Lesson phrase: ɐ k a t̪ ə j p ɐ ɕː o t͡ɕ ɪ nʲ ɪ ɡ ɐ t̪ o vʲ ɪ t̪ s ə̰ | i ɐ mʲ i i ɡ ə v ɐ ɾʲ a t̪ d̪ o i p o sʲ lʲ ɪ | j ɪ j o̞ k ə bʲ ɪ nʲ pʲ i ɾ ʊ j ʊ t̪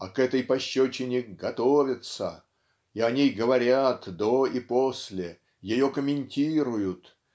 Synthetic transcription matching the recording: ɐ k ɛ t̪ ə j p ɐ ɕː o t͡ɕ ɪ nʲ ɪ ɡ ɐ t̪ o vʲ ɪ t̪ s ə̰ | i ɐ nʲ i j ɡ ə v ɐ ɾʲ a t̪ d̪ o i p o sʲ lʲ ɪ | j ɪ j o̞ k ə mʲ ɪ nʲ tʲ i ɾ ʊ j ʊ t̪